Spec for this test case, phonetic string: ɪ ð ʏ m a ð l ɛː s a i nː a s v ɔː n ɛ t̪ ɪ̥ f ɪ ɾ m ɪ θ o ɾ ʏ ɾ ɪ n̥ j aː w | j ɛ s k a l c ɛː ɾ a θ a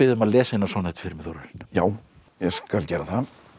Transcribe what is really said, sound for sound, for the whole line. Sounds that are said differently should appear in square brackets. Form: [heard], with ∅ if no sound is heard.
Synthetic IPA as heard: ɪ ð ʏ m a ð l ɛː s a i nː a s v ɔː n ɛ t̪ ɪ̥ f ɪ ɾ m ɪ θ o ɾ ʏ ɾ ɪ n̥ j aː w | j ɛ s k a l c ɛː ɾ a θ a